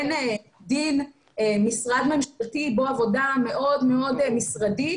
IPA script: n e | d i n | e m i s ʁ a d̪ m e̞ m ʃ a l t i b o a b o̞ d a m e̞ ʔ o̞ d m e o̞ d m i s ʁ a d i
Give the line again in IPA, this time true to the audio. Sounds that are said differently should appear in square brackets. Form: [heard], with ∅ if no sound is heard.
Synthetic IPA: n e | d i n | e m i s ʁ a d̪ m e̞ m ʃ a l t i b o a [v] o̞ d a m e̞ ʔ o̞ d m e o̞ d m i s ʁ a d i

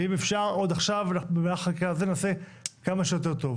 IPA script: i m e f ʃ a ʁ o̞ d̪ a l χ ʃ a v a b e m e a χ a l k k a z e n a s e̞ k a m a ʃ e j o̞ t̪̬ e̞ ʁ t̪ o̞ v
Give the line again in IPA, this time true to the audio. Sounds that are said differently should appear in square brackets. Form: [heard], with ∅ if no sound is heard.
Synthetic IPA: i m e f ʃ a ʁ o̞ d̪ a [∅] χ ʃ a v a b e m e a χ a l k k a z e n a s e̞ k a m a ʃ e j o̞ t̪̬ e̞ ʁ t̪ o̞ v

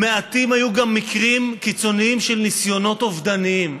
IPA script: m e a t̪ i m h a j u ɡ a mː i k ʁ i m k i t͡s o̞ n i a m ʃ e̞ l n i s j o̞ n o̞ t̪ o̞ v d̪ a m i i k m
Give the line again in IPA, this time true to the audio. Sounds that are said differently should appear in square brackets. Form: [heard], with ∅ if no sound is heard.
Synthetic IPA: m e a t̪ i m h a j u ɡ a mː i k ʁ i m k i t͡s o̞ n i [i] m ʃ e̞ l n i s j o̞ n o̞ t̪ o̞ v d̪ a [n] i i [∅] m

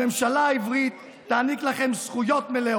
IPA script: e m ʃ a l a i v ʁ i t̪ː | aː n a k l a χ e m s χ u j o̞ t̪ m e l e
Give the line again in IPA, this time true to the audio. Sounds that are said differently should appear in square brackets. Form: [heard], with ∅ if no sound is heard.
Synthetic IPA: e m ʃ a l a i v ʁ i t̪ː | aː n [i] k l a χ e m s χ u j o̞ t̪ m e l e

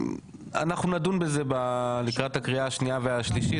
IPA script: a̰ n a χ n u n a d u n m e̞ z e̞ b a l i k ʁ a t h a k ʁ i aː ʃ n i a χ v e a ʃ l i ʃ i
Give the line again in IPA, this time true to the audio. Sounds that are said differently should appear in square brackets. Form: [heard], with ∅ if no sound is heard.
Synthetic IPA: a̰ n a χ n u n a d u n [b] e̞ z e̞ b a l i k ʁ a t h a k ʁ i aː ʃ n i a [∅] v e a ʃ l i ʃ i

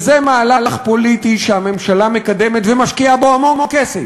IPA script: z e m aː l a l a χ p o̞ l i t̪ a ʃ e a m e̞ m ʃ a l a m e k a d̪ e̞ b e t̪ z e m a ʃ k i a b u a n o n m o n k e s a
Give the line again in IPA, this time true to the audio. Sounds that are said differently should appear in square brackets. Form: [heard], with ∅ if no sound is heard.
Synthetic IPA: z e m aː l a l a χ p o̞ l i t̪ [i] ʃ e a m e̞ m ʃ a l a m e k a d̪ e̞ [m] e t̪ [v] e m a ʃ k i a b [o] a [m] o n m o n k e s [e]

